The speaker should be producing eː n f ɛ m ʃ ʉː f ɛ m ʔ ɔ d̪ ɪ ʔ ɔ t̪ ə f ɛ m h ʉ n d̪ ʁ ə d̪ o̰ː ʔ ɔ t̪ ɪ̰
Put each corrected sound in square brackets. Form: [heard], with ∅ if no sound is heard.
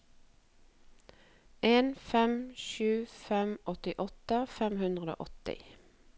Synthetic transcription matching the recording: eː n f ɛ m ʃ ʉː f ɛ m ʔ ɔ [t̪] ɪ ʔ ɔ t̪ ə f ɛ m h ʉ n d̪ ʁ ə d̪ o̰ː ʔ ɔ t̪ ɪ̰

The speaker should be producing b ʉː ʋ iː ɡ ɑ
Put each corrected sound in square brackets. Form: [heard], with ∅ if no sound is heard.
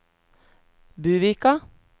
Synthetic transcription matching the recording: b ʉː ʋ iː [k] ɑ

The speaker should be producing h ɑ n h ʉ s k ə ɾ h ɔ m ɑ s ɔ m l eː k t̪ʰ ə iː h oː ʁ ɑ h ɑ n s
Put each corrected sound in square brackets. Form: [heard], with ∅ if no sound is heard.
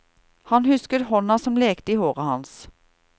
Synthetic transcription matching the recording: h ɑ n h ʉ s k ə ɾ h ɔ [n] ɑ s ɔ m l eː k [t̪] ə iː h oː ʁ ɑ h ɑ n s

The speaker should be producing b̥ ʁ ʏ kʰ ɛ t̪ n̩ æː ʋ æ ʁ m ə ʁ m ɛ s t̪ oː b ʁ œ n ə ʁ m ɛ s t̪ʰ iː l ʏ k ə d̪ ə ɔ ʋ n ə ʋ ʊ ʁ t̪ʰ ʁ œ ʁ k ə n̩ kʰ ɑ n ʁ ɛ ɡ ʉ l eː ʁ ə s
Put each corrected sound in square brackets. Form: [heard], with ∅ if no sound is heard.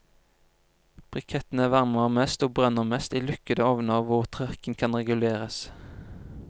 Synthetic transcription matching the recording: b̥ ʁ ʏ kʰ ɛ t̪ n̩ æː ʋ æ ʁ m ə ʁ m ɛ s t̪ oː b ʁ œ n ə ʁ m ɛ s [t̪] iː l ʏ k ə d̪ ə ɔ ʋ n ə ʋ ʊ ʁ t̪ʰ ʁ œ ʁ k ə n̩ kʰ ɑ n ʁ ɛ ɡ ʉ l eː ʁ ə s

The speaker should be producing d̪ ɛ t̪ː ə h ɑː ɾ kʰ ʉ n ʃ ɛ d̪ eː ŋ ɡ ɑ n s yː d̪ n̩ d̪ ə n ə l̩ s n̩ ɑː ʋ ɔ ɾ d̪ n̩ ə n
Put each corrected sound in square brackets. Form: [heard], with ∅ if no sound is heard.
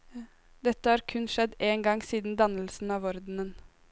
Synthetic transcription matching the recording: d̪ ɛ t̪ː ə h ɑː ɾ kʰ ʉ n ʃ ɛ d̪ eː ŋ ɡ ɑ [ŋ] s [iː] d̪ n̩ d̪ [ɑ] n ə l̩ s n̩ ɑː ʋ ɔ ɾ d̪ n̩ ə n

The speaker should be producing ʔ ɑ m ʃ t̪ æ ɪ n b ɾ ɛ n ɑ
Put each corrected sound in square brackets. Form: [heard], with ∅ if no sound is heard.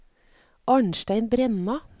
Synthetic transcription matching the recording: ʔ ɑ [ɳ] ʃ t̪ æ ɪ n b ɾ ɛ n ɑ

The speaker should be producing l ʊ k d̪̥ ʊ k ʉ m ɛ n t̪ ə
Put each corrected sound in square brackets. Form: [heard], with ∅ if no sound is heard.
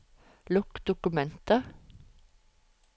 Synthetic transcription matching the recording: l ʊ k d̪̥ ʊ k ʉ m ɛ n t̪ ə

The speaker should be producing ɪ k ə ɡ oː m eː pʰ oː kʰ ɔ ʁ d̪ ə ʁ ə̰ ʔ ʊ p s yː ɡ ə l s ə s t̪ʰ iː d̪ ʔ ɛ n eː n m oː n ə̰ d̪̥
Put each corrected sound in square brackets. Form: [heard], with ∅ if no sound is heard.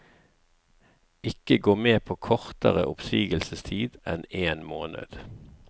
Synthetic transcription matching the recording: ɪ k ə ɡ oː m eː pʰ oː kʰ ɔ ʁ [t̪] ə ʁ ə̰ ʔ ʊ p s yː ɡ ə l s ə s t̪ʰ iː d̪ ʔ ɛ n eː n m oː n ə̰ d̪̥

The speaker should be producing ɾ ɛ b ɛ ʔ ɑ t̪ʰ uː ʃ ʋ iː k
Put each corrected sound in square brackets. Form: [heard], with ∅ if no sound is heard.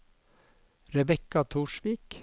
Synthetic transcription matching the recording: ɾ ɛ b ɛ [k] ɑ t̪ʰ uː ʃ ʋ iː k

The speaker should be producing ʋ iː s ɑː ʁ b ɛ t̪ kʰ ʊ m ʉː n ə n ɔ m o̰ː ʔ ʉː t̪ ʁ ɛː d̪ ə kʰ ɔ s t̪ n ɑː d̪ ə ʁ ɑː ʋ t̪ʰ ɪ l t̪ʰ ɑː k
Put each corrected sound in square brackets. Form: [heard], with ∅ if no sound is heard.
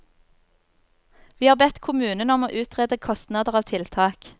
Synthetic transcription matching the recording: ʋ iː [h] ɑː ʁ b ɛ t̪ kʰ ʊ m ʉː n ə n ɔ m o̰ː ʔ ʉː t̪ ʁ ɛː d̪ ə kʰ ɔ s t̪ n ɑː d̪ ə ʁ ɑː ʋ t̪ʰ ɪ l t̪ʰ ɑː k

